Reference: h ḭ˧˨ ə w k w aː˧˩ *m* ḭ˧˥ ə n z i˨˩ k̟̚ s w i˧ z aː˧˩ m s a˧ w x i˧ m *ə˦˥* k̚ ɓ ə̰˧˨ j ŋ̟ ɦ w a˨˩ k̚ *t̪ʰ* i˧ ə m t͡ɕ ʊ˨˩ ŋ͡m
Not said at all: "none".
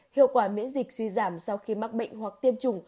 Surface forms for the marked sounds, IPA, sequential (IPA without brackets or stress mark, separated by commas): m, a˦˥, t̪